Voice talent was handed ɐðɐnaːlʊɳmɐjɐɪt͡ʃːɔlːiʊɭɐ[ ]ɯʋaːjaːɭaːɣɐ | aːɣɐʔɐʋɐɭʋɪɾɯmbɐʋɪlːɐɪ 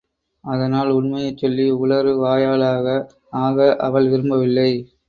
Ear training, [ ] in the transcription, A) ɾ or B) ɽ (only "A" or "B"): A